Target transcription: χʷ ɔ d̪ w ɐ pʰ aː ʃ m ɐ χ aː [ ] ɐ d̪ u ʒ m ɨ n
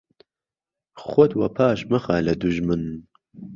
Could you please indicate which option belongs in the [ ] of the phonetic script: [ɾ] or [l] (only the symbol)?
l